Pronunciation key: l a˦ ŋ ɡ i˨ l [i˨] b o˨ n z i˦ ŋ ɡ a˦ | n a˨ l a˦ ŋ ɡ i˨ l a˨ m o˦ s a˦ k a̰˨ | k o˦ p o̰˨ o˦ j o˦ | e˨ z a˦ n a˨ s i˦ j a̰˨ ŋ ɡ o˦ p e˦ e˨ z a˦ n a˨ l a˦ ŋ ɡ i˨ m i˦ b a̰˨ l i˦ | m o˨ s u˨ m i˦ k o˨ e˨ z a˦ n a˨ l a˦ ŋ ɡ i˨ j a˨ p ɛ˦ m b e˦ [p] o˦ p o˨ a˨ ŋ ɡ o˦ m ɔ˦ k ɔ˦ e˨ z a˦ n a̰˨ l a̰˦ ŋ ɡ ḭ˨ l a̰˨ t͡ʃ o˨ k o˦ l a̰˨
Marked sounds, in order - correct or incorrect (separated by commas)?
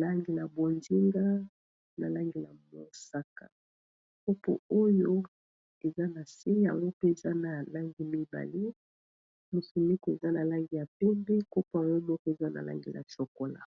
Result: incorrect, incorrect